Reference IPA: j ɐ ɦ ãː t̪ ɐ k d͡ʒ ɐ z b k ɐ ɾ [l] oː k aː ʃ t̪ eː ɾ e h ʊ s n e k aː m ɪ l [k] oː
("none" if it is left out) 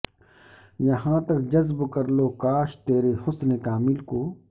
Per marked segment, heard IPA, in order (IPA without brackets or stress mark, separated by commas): l, k